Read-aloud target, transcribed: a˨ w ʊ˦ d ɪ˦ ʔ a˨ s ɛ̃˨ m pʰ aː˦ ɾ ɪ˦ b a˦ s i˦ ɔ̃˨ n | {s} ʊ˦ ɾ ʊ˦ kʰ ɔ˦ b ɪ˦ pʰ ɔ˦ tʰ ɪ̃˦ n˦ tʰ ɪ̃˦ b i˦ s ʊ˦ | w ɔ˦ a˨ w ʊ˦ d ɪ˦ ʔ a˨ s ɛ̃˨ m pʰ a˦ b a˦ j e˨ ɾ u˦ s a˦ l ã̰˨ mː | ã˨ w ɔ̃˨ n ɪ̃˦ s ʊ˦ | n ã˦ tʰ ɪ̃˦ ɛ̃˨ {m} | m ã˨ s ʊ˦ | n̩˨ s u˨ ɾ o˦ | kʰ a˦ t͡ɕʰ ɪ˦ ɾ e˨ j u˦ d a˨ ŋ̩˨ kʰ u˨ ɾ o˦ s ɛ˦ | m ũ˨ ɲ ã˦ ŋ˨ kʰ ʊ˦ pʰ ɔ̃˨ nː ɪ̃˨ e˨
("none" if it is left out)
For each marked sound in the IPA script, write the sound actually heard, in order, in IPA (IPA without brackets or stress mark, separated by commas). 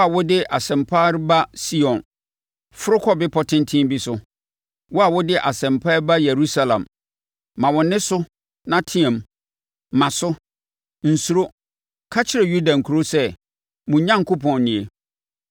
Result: f, m